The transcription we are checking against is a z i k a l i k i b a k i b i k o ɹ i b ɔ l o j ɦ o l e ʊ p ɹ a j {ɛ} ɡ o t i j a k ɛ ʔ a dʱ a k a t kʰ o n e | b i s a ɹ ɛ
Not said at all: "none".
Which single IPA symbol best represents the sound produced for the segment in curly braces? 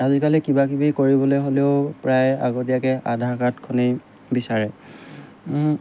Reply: a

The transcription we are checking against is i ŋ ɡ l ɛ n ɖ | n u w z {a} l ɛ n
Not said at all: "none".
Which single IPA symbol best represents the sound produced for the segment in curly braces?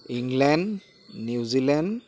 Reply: i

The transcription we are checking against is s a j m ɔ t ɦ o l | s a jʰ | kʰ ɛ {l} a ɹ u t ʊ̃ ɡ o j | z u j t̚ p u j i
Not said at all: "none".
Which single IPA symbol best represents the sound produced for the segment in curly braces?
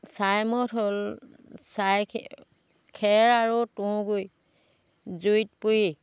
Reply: ɹ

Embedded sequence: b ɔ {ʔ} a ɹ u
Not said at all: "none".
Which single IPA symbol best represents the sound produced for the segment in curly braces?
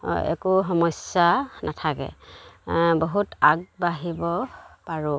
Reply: p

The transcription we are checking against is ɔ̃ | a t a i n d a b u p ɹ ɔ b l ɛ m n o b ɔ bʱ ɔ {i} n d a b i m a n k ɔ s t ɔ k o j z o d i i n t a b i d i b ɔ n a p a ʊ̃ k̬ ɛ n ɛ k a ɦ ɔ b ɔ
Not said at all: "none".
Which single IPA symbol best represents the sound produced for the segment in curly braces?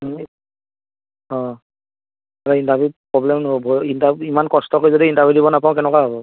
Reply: i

